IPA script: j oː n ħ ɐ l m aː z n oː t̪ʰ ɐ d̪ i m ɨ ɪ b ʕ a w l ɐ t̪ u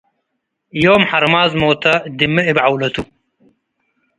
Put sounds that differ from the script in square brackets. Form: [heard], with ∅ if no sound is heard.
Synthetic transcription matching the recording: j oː [m] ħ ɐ [ɾ] m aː z [m] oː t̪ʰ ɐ d̪ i m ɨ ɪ b ʕ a w l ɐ t̪ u